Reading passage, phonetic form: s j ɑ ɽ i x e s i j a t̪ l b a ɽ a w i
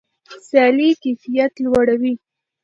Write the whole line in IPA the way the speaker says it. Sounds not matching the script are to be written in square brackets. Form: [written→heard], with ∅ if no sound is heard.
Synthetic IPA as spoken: s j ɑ [ɽ→l] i [x→k] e [s→f] i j a t̪ l [b→w] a ɽ a w i